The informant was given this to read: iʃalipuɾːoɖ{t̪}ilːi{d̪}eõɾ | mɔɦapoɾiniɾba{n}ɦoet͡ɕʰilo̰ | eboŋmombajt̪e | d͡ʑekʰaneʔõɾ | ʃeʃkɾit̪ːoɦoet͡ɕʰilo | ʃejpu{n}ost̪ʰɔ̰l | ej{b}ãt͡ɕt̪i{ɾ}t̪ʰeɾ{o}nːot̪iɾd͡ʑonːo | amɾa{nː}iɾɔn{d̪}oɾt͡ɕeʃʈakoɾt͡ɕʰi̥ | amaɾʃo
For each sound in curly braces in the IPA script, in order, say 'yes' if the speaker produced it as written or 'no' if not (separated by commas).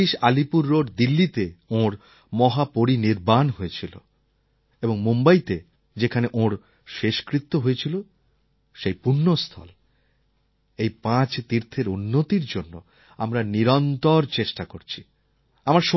no, no, yes, no, no, yes, no, no, no